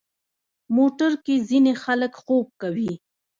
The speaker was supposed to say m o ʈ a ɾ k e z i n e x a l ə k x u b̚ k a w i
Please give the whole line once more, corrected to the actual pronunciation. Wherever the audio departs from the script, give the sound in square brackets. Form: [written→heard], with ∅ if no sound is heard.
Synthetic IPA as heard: m o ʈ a ɾ k e z i n e x a l ə k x [u→o] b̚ k a w i